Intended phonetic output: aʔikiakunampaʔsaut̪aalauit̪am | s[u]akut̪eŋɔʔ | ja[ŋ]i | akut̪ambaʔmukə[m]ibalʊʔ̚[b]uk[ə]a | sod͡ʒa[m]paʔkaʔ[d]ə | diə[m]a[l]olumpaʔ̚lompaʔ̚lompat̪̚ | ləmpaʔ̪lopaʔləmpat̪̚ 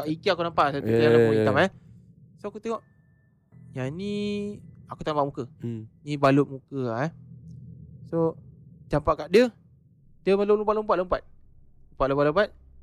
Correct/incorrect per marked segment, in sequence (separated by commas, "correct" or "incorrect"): incorrect, incorrect, incorrect, incorrect, correct, correct, correct, correct, correct